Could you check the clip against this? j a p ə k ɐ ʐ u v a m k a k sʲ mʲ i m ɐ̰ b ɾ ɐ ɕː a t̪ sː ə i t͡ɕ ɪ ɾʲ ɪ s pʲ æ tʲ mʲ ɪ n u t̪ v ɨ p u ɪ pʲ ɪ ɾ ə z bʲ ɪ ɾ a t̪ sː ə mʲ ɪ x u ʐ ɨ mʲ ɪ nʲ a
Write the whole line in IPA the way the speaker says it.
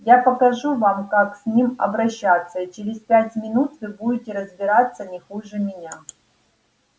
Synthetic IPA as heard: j a p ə k ɐ ʐ u v a m k a k sʲ nʲ i m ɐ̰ b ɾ ɐ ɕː a t̪ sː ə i t͡ɕ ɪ ɾʲ ɪ s pʲ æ tʲ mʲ ɪ n u t̪ v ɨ b u ɪ tʲ ɪ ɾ ə z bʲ ɪ ɾ a t̪ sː ə nʲ ɪ x u ʐ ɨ mʲ ɪ nʲ a